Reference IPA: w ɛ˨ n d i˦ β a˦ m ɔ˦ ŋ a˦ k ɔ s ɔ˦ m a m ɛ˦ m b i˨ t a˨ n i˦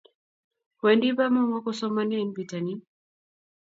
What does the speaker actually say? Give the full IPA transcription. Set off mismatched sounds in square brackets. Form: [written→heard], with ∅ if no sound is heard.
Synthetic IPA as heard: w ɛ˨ n d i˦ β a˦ m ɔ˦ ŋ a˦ k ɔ s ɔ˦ m a [m→n] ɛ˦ [m→n] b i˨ t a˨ n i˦

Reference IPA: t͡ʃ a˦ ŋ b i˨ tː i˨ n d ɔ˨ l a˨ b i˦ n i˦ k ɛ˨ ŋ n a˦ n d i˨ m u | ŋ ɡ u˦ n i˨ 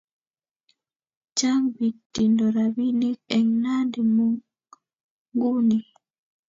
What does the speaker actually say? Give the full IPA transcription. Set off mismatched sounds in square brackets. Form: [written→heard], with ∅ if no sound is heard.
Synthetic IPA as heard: t͡ʃ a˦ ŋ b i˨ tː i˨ n d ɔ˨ [l→ɾ] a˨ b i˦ n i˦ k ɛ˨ ŋ n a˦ n d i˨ m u | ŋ ɡ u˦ n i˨

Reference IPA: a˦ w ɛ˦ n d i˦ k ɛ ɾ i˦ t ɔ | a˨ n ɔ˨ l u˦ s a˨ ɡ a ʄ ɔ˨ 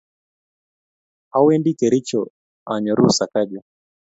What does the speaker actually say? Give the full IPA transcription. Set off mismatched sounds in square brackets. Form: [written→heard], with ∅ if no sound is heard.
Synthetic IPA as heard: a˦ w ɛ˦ n d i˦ k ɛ ɾ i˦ [t→t͡ʃ] ɔ | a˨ [n→ɲ] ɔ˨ [l→ɾ] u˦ s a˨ [ɡ→k] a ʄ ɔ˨

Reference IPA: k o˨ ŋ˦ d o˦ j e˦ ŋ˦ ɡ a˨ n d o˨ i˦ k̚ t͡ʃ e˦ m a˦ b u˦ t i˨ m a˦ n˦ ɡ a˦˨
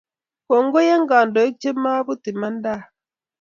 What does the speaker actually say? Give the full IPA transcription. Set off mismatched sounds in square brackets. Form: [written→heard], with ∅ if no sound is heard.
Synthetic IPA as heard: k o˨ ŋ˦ [d→ɡ] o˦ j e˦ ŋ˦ ɡ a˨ n d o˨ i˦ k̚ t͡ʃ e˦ m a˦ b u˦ t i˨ m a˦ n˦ [ɡ→d] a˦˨

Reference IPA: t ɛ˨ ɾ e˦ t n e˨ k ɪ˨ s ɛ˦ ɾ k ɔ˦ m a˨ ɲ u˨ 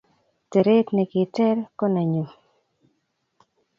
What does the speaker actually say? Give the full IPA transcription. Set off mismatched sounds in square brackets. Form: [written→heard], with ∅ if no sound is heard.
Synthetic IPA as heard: t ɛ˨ ɾ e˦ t n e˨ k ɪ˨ [s→t] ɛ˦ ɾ k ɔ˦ [m→n] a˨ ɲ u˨

